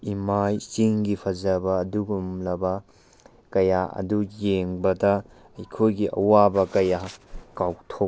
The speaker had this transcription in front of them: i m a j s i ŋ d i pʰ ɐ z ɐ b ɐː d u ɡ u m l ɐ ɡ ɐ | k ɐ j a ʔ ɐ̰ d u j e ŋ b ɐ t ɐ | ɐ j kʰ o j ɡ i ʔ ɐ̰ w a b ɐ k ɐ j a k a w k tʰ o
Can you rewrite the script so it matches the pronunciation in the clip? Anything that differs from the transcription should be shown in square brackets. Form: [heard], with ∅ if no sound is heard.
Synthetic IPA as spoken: i m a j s i ŋ [ɡ] i pʰ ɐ z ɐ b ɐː d u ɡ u m l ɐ [b] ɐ | k ɐ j a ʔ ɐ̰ d u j e ŋ b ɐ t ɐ | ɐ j kʰ o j ɡ i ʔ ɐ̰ w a b ɐ k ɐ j a k a w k tʰ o